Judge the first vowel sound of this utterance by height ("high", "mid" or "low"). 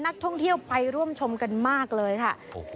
low